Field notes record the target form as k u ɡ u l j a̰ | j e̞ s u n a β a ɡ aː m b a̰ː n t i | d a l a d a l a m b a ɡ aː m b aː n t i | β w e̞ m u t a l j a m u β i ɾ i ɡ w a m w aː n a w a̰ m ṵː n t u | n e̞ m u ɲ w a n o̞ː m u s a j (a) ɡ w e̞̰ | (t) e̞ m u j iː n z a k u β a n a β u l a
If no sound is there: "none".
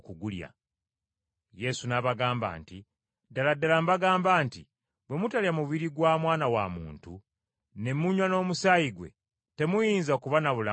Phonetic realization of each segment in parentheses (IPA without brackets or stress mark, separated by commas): i, t